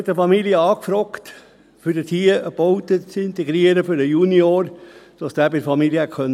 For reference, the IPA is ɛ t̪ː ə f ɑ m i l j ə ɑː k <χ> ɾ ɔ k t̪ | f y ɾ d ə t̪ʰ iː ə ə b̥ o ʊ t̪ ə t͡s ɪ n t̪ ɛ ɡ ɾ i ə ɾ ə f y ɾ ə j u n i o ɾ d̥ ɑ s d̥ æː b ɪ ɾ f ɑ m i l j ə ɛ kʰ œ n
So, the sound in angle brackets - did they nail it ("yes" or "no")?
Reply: no